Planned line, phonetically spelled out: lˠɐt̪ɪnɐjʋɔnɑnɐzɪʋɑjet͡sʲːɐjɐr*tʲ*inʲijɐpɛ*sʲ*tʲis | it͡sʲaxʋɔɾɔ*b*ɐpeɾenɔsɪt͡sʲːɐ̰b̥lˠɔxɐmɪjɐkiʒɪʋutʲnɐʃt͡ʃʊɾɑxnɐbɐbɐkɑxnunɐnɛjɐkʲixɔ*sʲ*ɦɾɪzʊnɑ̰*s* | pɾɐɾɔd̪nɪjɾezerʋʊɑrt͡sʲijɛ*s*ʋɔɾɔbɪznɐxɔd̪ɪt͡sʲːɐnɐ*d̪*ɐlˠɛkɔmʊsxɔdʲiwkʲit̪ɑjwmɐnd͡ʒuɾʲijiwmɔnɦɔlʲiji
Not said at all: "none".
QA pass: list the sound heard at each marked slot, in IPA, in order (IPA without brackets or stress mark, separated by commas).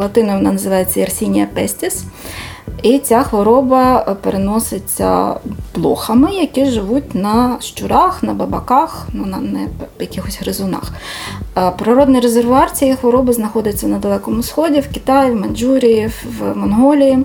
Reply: sʲ, sʲ, b, sʲ, x, x, d̪